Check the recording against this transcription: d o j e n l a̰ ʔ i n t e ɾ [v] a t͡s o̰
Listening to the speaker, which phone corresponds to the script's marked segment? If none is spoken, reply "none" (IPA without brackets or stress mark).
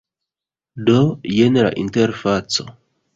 f